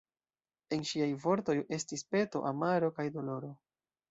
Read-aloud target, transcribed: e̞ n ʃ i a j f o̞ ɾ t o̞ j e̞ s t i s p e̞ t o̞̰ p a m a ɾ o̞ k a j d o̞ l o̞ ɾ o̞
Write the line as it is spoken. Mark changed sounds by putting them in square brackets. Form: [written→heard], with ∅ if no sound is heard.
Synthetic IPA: e̞ n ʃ i a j [f→v] o̞ ɾ t o̞ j e̞ s t i s p e̞ t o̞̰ [p→ʔ] a m a ɾ o̞ k a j d o̞ l o̞ ɾ o̞